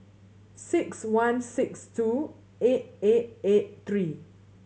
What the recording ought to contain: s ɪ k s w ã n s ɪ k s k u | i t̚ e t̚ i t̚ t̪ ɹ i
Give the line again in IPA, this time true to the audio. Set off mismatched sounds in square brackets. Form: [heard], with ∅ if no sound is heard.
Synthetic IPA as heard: s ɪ k s w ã n s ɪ k s [t] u | [e] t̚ e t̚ [e] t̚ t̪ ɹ i